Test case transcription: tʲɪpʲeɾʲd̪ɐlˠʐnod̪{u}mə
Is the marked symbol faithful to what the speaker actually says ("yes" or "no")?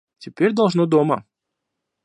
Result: no